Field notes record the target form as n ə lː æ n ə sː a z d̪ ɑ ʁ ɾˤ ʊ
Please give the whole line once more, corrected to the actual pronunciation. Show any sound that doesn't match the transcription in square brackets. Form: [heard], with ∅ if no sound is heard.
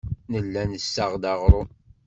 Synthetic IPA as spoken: n ə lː æ n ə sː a [ʁ] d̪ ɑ ʁ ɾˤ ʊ